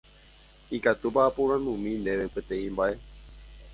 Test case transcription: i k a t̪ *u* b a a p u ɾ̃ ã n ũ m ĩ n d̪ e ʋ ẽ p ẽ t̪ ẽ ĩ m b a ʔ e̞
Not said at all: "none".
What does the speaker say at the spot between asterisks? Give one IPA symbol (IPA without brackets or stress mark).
u